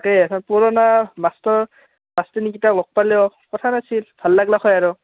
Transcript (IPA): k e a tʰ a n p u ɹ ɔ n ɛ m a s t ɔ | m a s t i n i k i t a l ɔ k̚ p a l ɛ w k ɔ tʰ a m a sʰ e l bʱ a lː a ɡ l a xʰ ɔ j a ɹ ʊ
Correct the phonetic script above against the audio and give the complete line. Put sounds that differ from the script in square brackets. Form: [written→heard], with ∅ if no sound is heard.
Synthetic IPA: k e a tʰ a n p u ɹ ɔ n [ɛ→a] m a s t ɔ | m a s t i n i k i t a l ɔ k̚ p a l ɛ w k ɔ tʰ a [m→n] a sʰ [e→i] l bʱ a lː a ɡ l a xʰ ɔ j a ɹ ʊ